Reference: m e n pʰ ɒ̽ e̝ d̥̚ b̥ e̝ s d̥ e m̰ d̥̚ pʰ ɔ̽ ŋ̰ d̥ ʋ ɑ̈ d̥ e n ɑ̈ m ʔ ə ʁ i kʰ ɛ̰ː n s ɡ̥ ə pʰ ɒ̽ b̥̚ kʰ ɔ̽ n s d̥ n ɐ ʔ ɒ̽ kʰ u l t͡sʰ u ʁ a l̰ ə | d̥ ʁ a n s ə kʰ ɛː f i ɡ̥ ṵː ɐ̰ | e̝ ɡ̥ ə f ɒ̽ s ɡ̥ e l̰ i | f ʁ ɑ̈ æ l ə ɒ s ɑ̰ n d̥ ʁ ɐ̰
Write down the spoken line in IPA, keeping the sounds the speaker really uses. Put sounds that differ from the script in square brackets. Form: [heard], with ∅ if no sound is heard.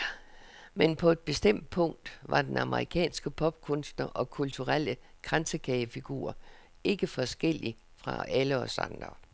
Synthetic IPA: m e n pʰ ɒ̽ e̝ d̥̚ b̥ e̝ s d̥ e m̰ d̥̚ pʰ ɔ̽ ŋ̰ d̥ ʋ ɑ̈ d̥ e n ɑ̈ m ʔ ə ʁ i kʰ ɛ̰ː n s ɡ̥ ə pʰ ɒ̽ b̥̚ kʰ ɔ̽ n s d̥ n ɐ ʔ ɒ̽ kʰ u l t͡sʰ u ʁ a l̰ ə | [ɡ̥] ʁ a n s ə kʰ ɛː f i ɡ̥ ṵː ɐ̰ | e̝ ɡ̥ ə f ɒ̽ s ɡ̥ e l̰ i | f ʁ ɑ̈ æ l ə ɒ s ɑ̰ n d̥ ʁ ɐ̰